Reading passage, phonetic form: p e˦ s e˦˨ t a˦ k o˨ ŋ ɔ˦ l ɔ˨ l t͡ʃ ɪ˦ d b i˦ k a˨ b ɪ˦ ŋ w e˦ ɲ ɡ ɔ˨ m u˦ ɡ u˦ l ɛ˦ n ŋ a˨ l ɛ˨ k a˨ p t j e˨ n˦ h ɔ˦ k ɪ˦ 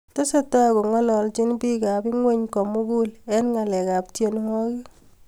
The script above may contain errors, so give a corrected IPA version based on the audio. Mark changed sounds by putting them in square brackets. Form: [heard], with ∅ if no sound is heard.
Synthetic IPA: [t] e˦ s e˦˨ t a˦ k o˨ ŋ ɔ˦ l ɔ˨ l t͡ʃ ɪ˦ [n] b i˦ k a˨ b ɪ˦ ŋ w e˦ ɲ [k] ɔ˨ m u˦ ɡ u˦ l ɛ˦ n ŋ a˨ l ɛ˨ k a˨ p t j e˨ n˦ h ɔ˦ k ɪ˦